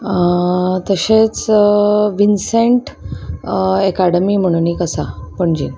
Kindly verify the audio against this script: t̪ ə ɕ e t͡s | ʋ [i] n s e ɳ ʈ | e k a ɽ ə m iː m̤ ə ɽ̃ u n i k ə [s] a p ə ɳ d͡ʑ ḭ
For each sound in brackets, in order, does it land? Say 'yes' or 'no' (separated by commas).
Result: yes, yes